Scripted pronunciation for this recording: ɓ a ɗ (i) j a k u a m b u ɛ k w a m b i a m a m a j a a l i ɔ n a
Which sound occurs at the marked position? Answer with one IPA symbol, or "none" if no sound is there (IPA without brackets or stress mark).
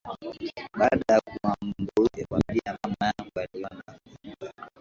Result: a